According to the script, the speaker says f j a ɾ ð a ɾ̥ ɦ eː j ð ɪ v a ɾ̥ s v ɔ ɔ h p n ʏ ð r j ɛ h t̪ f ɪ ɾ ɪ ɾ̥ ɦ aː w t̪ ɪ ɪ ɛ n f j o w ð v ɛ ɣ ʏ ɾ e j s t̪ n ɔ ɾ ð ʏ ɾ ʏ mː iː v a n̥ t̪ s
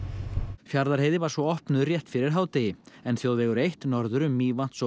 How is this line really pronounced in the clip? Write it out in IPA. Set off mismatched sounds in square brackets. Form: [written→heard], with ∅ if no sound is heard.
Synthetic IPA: f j a ɾ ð a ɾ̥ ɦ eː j ð ɪ v a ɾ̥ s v ɔ ɔ h p n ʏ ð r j ɛ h t̪ f ɪ ɾ ɪ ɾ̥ ɦ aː w t̪ ɪ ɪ ɛ n [f→θ] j o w ð v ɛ ɣ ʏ ɾ e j [s→h] t̪ n ɔ ɾ ð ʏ ɾ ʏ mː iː v a n̥ t̪ s